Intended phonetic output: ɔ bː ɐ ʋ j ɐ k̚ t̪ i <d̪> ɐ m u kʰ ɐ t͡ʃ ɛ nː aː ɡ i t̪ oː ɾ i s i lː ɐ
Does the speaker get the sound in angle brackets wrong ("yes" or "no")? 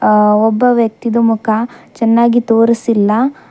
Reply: no